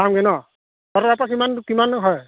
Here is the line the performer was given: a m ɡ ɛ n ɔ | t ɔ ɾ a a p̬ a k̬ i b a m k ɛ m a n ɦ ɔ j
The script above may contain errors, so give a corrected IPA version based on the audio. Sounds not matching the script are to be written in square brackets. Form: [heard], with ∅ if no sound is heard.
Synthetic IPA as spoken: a m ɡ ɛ n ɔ | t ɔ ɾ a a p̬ a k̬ i [m] a [n] k [i] m a n ɦ ɔ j